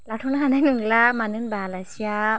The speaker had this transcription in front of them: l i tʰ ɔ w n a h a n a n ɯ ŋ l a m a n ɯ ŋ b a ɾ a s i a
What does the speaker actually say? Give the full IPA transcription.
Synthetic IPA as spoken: l a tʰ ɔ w n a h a n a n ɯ ŋ l a m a n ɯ n b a l a s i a